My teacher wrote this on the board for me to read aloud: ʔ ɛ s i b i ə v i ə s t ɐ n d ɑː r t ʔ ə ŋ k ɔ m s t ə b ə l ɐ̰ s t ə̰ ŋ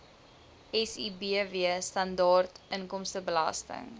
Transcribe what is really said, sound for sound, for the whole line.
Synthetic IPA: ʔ ɛ s i b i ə v i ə s t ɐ n d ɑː r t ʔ ə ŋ k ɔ m s t ə b ə l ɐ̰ s t ə̰ ŋ